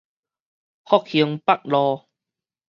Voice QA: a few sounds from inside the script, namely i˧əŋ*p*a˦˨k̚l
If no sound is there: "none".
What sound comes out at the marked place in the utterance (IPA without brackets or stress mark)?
p